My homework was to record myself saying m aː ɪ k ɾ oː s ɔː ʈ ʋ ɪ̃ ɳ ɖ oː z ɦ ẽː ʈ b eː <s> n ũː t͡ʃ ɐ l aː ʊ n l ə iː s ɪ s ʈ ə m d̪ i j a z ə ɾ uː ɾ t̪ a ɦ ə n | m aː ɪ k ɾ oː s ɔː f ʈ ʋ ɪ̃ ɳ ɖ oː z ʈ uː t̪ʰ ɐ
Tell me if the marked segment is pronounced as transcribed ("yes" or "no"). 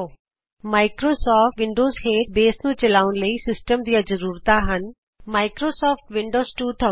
yes